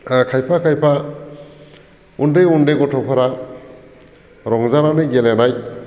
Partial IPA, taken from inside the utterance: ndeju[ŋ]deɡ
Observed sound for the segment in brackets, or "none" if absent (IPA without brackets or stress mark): n